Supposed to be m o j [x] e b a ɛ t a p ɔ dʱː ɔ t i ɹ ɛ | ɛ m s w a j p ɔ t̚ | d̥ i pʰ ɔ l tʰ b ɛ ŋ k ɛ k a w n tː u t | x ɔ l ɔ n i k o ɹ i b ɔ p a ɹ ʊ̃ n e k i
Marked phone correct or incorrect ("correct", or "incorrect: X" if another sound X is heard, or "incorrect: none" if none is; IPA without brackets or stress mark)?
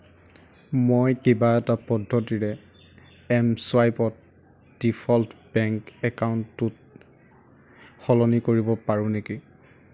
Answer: incorrect: k